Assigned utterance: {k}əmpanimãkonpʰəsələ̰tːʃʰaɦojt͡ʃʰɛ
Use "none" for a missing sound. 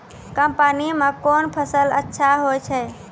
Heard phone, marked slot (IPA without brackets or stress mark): k